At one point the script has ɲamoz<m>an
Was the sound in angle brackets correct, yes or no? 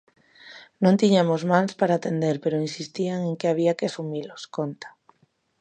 yes